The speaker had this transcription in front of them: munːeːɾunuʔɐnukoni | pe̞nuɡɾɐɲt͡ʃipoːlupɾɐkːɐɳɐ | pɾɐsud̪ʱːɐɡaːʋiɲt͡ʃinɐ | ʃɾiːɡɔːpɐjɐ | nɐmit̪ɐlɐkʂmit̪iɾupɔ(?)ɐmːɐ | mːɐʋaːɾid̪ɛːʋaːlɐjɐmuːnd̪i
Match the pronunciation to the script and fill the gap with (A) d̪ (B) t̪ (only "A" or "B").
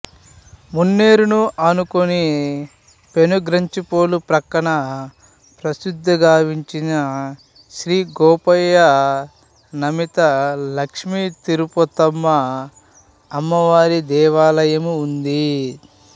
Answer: B